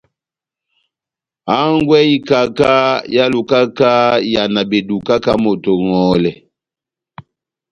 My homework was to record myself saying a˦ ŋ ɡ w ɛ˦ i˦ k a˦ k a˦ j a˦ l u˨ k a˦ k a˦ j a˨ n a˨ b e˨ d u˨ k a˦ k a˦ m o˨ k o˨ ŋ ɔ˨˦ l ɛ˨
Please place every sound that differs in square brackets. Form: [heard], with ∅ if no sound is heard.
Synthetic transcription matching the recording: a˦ ŋ ɡ w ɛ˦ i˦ k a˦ k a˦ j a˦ l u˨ k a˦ k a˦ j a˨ n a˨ b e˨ d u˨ k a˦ k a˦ m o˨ [t] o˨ ŋ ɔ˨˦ l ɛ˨